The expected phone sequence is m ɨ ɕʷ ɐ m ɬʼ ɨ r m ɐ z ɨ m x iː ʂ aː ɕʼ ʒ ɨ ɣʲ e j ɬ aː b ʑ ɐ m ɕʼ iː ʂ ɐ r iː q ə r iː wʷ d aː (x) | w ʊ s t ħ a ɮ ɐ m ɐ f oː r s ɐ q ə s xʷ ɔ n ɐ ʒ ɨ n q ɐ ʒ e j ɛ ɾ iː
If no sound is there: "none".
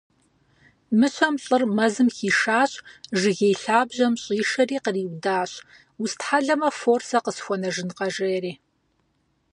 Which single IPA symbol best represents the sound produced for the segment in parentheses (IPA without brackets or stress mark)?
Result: ɕ